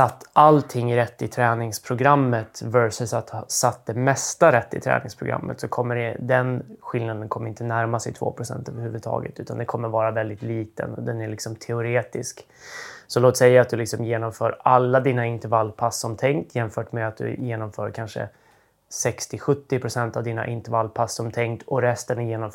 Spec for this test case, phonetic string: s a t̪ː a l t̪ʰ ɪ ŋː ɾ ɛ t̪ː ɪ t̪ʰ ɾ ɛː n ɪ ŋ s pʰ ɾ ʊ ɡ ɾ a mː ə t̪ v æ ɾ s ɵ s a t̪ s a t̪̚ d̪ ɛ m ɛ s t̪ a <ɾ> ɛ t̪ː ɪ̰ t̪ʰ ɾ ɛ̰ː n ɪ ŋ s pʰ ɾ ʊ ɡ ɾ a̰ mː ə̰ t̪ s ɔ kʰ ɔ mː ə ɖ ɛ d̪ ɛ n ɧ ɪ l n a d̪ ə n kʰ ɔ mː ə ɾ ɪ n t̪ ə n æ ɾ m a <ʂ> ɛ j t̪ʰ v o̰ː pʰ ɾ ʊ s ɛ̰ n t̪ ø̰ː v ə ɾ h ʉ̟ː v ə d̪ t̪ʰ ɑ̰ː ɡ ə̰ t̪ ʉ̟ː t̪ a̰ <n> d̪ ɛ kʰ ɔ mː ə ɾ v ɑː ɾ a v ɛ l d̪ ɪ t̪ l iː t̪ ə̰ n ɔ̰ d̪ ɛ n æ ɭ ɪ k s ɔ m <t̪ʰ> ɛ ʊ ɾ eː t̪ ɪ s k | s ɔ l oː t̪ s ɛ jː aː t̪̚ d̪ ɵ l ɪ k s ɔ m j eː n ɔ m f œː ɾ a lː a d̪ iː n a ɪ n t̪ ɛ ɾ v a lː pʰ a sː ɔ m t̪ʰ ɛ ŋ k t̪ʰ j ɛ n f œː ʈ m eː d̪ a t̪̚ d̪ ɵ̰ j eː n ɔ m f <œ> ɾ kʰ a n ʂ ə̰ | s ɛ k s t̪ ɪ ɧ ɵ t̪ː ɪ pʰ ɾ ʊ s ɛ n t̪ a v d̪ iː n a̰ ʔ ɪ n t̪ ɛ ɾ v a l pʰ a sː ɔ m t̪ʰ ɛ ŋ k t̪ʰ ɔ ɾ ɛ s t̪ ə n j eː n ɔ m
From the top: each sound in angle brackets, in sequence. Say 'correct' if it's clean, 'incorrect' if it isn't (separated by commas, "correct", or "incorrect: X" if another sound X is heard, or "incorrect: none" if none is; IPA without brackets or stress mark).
correct, incorrect: s, correct, correct, incorrect: œː